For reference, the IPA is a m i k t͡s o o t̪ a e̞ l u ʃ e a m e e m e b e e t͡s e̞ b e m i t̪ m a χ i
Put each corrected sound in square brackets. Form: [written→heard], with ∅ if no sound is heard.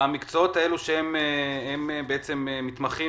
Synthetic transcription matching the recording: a m i k t͡s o o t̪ a e̞ l u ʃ e [a→e] m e e m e b e e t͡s e̞ [b→m] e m i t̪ m a χ i